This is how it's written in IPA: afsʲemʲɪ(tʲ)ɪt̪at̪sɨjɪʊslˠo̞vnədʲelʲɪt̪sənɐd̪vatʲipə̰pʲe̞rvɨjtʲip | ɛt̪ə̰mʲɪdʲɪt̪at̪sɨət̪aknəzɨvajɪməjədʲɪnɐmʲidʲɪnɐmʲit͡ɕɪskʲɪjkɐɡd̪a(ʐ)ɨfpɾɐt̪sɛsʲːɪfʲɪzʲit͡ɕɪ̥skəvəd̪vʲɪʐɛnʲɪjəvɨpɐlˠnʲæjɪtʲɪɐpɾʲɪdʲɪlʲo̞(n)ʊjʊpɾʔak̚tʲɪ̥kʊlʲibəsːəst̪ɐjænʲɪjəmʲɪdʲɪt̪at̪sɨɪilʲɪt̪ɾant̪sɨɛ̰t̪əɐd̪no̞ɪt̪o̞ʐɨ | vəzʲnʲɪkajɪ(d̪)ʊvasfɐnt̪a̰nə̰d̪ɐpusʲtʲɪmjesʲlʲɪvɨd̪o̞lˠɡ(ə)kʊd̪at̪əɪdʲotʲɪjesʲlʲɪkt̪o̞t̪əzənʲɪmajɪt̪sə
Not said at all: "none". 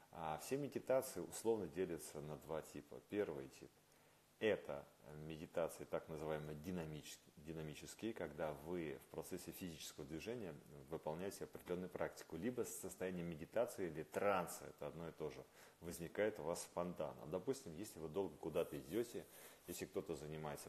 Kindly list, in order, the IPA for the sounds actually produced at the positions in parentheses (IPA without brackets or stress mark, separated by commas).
dʲ, v, nː, t̪, ə